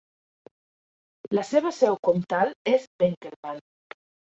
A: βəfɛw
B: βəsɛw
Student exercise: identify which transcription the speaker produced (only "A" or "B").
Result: B